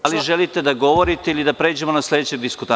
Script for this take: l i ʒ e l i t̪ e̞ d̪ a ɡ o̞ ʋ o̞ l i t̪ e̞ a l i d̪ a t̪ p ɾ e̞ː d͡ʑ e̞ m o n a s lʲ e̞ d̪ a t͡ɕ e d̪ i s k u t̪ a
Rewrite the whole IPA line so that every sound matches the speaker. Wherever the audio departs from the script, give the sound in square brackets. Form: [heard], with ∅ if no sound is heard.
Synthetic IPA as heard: l i ʒ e l i t̪ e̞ d̪ a ɡ o̞ ʋ o̞ [ɾ] i t̪ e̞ [i] l i d̪ a [∅] p ɾ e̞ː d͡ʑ e̞ m o n a s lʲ e̞ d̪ [e] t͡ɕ e d̪ i s k u t̪ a